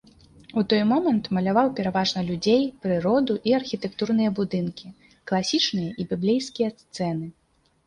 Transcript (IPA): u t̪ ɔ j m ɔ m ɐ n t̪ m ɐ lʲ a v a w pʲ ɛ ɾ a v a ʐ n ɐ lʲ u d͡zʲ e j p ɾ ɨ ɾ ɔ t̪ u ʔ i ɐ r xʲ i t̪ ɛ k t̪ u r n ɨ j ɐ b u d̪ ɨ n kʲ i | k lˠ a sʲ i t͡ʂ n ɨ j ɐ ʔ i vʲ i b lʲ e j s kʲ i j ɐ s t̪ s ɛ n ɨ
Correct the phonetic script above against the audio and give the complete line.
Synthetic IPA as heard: u t̪ ɔ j m ɔ m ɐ n t̪ m ɐ lʲ a v a w pʲ ɛ ɾ a v a ʐ n ɐ lʲ u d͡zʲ e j p ɾ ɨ ɾ ɔ d̪ u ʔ i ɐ r xʲ i t̪ ɛ k t̪ u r n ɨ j ɐ b u d̪ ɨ n kʲ i | k lˠ a sʲ i t͡ʂ n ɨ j ɐ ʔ i bʲ i b lʲ e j s kʲ i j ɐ s t̪ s ɛ n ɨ

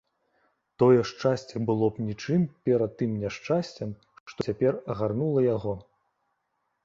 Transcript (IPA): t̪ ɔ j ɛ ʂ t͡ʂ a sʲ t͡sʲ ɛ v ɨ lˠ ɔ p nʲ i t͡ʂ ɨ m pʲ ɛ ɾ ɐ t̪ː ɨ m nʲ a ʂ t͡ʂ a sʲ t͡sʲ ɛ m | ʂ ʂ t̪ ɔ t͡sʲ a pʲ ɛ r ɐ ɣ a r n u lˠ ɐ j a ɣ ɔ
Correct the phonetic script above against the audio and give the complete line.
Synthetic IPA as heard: t̪ ɔ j ɛ ʂ t͡ʂ a sʲ t͡sʲ ɛ b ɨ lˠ ɔ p nʲ i t͡ʂ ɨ m pʲ ɛ ɾ ɐ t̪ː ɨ m nʲ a ʂ t͡ʂ a sʲ t͡sʲ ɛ m | ʂ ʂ t̪ ɔ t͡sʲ a pʲ ɛ r ɐ ɣ a r n u lˠ ɐ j a ɣ ɔ

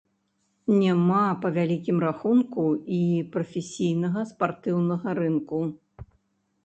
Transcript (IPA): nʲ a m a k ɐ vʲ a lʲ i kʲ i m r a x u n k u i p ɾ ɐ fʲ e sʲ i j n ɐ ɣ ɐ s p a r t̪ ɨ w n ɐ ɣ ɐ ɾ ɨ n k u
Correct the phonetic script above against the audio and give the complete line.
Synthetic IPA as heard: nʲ a m a p ɐ vʲ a lʲ i kʲ i m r a x u n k u i p ɾ ɐ fʲ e sʲ i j n ɐ ɣ ɐ s p a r t̪ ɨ w n ɐ ɣ ɐ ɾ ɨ n k u

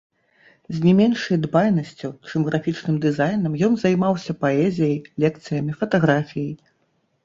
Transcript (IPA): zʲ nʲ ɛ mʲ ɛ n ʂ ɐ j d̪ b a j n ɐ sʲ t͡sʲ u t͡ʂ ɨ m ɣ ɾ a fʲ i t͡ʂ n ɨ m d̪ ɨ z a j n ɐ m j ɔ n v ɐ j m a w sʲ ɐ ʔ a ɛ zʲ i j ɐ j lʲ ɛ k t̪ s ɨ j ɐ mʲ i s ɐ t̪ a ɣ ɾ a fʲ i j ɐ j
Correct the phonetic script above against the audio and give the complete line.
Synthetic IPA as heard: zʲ nʲ ɛ mʲ ɛ n ʂ ɐ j d̪ b a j n ɐ sʲ t͡sʲ u t͡ʂ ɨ m ɣ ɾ a fʲ i t͡ʂ n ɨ m d̪ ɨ z a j n ɐ m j ɔ n z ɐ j m a w sʲ ɐ p a ɛ zʲ i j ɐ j lʲ ɛ k t̪ s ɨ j ɐ mʲ i f ɐ t̪ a ɣ ɾ a fʲ i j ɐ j

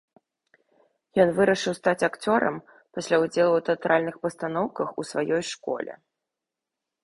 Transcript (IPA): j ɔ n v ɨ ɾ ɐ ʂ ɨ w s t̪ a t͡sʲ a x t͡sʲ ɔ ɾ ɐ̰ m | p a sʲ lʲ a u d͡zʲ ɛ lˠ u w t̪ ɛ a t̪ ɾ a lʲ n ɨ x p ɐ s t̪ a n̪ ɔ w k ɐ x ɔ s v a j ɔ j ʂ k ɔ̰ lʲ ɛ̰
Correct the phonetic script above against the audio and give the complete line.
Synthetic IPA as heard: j ɔ n v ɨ ɾ ɐ ʂ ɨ w s t̪ a t͡sʲ a k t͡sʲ ɔ ɾ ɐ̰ m | p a sʲ lʲ a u d͡zʲ ɛ lˠ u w t̪ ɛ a t̪ ɾ a lʲ n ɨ x p ɐ s t̪ a n̪ ɔ w k ɐ x u s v a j ɔ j ʂ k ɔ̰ lʲ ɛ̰

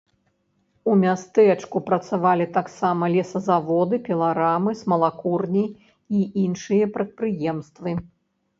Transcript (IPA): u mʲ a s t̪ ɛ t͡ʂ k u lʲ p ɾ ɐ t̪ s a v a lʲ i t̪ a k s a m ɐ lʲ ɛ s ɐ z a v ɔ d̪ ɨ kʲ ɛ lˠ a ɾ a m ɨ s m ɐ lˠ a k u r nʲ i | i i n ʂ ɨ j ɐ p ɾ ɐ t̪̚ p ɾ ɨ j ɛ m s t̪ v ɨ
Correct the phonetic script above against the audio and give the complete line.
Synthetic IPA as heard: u mʲ a s t̪ ɛ t͡ʂ k u p ɾ ɐ t̪ s a v a lʲ i t̪ a k s a m ɐ lʲ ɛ s ɐ z a v ɔ d̪ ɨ pʲ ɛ lˠ a ɾ a m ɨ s m ɐ lˠ a k u r nʲ i | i i n ʂ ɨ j ɐ p ɾ ɐ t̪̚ p ɾ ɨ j ɛ m s t̪ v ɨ

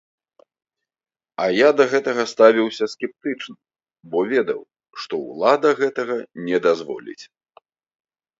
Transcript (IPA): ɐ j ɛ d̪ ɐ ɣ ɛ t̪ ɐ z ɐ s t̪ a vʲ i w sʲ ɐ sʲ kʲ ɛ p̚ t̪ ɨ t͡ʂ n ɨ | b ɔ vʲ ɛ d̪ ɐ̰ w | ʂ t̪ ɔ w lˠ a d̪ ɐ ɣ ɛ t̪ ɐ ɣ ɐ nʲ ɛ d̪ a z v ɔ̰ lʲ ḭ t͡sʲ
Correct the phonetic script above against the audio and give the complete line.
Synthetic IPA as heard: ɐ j a d̪ ɐ ɣ ɛ t̪ ɐ ɣ ɐ s t̪ a vʲ i w sʲ ɐ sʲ kʲ ɛ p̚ t̪ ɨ t͡ʂ n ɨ | b ɔ vʲ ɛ d̪ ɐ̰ w | ʂ t̪ ɔ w lˠ a d̪ ɐ ɣ ɛ t̪ ɐ ɣ ɐ nʲ ɛ d̪ a z v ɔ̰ lʲ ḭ t͡sʲ

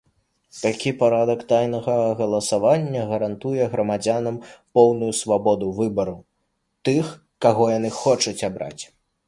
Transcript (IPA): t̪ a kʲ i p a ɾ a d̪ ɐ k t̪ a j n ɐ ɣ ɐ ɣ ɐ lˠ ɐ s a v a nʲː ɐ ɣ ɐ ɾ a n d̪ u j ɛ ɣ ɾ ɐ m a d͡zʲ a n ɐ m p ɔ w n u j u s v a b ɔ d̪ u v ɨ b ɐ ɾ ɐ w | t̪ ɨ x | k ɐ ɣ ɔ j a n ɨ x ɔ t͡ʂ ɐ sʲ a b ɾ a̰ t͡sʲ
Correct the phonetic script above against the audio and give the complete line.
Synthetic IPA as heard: t̪ a kʲ i p a ɾ a d̪ ɐ k t̪ a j n ɐ ɣ ɐ ɣ ɐ lˠ ɐ s a v a nʲː ɐ ɣ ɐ ɾ a n t̪ u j ɛ ɣ ɾ ɐ m a d͡zʲ a n ɐ m p ɔ w n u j u s v a b ɔ d̪ u v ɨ b ɐ ɾ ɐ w | t̪ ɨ x | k a ɣ ɔ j a n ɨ x ɔ t͡ʂ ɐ t͡sʲ a b ɾ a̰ t͡sʲ

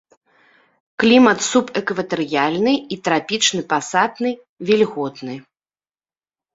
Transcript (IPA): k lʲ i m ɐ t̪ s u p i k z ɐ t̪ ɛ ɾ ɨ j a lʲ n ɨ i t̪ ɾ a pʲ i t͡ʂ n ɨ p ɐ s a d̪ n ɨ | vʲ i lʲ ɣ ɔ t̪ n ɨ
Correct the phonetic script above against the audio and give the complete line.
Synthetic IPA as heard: k lʲ i m ɐ t̪ s u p ɛ k v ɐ t̪ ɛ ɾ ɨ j a lʲ n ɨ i t̪ ɾ a pʲ i t͡ʂ n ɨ p a s a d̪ n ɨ | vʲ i lʲ ɣ ɔ t̪ n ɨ

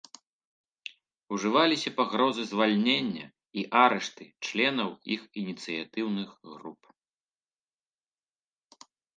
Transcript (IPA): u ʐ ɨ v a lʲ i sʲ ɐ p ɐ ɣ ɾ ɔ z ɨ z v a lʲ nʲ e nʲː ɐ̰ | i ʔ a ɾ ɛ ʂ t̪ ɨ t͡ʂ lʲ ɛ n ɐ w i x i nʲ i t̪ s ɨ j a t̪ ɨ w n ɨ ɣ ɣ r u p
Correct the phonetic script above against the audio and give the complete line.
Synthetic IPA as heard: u ʐ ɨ v a lʲ i sʲ ɐ p a ɣ ɾ ɔ z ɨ z v a lʲ nʲ e nʲː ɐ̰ | i ʔ a ɾ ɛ ʂ t̪ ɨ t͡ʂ lʲ ɛ n ɐ w i x i nʲ i t̪ s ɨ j a t̪ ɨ w n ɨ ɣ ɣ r u p

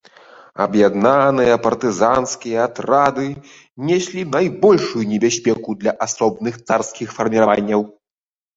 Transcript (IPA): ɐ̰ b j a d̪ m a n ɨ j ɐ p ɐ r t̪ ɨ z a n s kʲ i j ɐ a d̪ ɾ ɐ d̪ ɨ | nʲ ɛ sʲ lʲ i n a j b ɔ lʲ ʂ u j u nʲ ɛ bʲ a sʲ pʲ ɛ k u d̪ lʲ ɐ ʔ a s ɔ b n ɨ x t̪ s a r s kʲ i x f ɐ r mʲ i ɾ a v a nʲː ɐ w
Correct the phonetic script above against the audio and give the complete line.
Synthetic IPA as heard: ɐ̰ b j a d̪ n a n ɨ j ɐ p ɐ r t̪ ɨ z a n s kʲ i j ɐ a t̪ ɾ a d̪ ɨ | nʲ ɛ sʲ lʲ i n a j b ɔ lʲ ʂ u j u nʲ ɛ bʲ a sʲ pʲ ɛ k u d̪ lʲ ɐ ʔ a s ɔ b n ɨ x t̪ s a r s kʲ i x f ɐ r mʲ i ɾ a v a nʲː ɐ w

